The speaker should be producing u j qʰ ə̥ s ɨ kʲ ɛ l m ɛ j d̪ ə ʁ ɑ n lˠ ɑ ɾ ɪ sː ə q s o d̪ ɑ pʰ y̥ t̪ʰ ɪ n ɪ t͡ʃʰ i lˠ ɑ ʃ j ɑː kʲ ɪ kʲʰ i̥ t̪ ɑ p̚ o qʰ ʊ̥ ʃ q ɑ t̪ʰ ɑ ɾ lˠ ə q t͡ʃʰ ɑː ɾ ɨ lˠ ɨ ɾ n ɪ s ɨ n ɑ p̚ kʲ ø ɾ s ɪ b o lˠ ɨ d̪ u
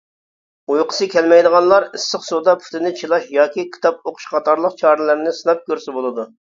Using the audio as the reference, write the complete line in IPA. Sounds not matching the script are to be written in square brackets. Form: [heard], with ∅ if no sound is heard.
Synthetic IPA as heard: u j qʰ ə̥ s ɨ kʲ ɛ l m ɛ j d̪ ə ʁ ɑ n lˠ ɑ ɾ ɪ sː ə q s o d̪ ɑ pʰ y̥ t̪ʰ ɪ n ɪ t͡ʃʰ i lˠ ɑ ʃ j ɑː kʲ [i] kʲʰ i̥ t̪ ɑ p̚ o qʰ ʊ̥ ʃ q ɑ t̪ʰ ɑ ɾ lˠ ə q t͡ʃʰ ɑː ɾ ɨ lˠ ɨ ɾ n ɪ s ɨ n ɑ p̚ kʲ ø ɾ s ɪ b o lˠ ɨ d̪ u